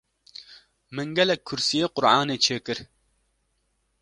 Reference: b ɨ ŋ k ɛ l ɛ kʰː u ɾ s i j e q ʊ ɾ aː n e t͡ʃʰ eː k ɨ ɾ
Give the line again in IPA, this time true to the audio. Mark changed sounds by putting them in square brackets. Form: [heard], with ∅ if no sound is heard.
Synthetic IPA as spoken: [m] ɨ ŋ [ɡ] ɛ l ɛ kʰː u ɾ s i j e q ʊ ɾ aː n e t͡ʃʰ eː k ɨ ɾ